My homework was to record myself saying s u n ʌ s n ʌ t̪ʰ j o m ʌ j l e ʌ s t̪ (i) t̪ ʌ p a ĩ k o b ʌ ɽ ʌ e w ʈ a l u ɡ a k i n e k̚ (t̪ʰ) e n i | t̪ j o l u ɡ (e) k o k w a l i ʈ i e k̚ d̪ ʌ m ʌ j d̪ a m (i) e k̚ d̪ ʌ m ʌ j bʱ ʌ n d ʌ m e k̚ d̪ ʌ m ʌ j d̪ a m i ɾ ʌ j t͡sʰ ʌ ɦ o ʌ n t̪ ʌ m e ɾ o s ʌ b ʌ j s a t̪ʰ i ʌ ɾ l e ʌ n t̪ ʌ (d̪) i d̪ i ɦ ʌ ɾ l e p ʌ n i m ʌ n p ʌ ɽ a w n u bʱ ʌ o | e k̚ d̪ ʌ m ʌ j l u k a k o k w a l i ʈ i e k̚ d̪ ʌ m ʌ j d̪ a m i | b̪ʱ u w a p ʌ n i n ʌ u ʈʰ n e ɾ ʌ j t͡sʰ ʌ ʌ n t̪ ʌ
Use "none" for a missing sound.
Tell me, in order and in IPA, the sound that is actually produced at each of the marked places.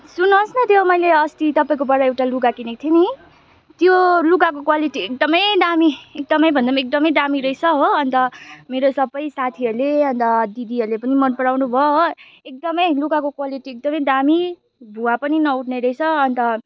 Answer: i, t̪ʰ, a, i, d̪

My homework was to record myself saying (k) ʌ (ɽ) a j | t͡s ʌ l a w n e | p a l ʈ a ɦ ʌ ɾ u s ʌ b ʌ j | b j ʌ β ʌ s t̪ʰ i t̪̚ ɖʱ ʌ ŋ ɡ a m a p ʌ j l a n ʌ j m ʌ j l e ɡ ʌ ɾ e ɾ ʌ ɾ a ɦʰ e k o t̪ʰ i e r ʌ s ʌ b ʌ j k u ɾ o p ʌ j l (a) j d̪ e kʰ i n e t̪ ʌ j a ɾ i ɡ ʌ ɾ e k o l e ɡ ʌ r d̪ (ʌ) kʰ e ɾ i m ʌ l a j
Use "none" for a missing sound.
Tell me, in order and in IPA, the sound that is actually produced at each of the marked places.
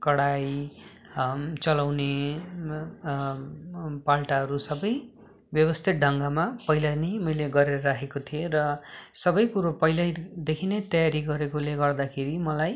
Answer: k, ɽ, a, a

